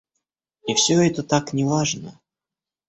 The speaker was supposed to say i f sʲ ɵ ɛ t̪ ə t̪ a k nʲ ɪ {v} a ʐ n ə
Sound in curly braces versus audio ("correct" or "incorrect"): correct